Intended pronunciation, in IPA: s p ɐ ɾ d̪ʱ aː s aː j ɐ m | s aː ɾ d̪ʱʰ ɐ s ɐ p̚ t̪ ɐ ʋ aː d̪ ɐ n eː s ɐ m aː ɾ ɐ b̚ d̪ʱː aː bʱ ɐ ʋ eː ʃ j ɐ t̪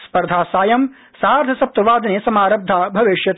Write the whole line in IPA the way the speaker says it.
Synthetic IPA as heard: s p ɐ ɾ d̪ʱ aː s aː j ɐ m | s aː ɾ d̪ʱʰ ɐ s ɐ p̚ t̪ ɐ ʋ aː d̪ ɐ n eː s ɐ m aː ɾ ɐ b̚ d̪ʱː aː bʱ ɐ ʋ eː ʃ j ɐ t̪